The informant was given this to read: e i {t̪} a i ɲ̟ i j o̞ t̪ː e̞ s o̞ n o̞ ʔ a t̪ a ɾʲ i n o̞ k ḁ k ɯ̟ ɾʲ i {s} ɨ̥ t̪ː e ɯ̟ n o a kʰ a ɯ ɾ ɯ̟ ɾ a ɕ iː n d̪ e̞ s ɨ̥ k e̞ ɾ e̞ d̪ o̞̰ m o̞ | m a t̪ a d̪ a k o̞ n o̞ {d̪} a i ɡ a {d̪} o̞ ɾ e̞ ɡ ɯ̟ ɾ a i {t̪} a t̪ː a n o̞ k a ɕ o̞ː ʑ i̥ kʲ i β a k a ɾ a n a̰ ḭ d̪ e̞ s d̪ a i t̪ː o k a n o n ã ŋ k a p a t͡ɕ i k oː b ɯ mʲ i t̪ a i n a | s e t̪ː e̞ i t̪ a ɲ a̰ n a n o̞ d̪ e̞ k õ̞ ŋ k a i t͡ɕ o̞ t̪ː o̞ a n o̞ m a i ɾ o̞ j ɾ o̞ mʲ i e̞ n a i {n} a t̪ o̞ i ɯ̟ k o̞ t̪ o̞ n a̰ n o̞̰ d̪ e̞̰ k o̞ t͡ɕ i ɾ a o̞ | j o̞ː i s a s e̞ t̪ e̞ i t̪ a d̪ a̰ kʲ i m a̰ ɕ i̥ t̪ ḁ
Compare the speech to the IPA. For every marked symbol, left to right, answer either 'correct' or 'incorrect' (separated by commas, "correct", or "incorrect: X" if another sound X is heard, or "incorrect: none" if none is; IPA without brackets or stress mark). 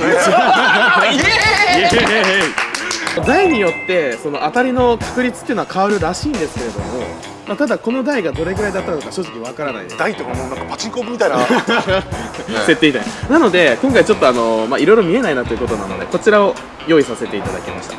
incorrect: d̪, incorrect: t͡s, correct, correct, incorrect: d̪, correct